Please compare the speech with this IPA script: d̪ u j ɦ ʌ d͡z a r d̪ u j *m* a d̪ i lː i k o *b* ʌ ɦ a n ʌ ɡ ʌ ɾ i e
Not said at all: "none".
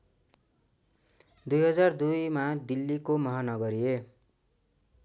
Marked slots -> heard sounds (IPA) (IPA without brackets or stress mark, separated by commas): m, m